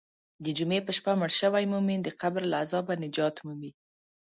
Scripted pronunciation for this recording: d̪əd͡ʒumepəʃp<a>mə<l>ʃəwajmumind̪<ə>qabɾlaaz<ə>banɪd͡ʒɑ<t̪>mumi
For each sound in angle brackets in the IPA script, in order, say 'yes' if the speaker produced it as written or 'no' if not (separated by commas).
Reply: yes, no, yes, no, yes